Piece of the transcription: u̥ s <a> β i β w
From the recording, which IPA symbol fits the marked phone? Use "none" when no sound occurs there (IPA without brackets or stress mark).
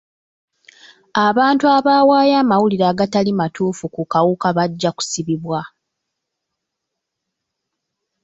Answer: i